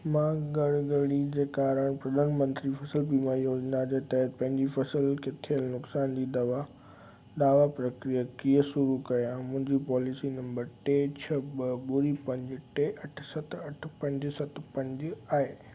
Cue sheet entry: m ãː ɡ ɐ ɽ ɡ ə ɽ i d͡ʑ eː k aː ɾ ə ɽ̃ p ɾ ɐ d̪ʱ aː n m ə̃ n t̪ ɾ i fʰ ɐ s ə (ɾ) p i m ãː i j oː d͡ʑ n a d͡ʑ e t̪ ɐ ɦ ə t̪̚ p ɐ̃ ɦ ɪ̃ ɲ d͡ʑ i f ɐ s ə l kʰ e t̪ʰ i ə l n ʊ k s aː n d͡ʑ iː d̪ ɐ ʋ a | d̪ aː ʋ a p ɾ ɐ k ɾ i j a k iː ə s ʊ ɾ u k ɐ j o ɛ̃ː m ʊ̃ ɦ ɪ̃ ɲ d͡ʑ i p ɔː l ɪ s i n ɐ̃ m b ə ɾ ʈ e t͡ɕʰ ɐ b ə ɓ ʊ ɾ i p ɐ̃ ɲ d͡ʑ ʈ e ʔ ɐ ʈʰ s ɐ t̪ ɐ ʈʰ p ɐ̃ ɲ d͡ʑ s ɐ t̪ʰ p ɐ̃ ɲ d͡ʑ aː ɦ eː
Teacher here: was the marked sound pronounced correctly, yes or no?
no